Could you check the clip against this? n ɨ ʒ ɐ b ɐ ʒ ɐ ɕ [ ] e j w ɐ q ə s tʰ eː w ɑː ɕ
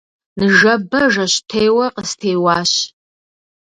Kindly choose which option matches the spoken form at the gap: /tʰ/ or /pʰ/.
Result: tʰ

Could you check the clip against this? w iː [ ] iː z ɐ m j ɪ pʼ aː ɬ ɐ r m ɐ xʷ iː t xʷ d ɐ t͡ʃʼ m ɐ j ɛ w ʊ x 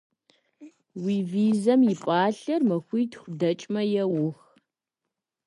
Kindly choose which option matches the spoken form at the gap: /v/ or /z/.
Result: v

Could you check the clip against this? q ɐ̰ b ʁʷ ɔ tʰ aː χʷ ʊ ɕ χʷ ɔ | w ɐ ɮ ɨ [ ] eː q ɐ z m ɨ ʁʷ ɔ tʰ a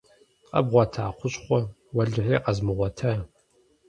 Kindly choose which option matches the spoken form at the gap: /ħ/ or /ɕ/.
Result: ħ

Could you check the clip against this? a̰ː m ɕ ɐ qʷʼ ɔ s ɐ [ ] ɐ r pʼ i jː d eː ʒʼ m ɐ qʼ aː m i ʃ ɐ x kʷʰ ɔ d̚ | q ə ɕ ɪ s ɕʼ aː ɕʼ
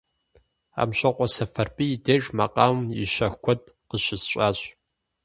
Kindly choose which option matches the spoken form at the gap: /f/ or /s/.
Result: f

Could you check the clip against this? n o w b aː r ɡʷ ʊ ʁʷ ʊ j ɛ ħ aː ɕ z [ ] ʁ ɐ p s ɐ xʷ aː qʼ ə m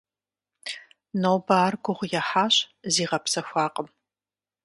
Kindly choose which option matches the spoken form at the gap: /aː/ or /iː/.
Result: iː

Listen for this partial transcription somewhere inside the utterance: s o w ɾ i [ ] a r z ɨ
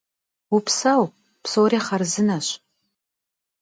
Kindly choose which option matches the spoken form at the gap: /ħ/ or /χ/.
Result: χ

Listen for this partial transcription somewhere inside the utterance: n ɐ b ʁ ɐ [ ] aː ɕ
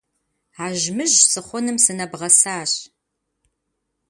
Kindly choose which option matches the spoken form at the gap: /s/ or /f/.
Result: s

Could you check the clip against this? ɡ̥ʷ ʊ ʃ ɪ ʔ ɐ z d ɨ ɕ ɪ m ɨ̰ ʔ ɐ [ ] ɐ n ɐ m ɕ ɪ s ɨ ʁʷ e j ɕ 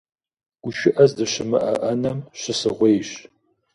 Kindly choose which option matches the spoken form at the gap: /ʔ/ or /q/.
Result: ʔ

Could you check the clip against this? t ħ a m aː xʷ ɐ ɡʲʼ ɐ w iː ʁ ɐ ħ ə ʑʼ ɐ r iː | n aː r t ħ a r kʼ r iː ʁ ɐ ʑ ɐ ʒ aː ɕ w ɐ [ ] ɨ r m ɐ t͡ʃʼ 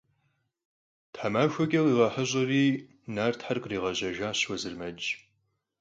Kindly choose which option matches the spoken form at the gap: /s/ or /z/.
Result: z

